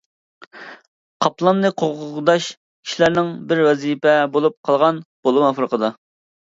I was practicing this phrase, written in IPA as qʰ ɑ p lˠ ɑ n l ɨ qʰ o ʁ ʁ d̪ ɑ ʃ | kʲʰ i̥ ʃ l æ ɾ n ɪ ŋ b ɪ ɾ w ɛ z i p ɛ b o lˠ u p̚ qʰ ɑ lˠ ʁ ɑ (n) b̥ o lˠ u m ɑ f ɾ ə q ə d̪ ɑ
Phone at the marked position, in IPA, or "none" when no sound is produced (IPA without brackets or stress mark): n